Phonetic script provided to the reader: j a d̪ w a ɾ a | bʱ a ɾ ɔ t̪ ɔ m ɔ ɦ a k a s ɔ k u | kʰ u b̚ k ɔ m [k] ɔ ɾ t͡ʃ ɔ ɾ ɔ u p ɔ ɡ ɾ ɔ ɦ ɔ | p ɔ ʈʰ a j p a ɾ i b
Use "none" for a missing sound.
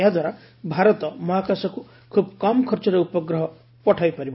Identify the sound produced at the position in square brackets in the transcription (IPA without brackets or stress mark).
kʰ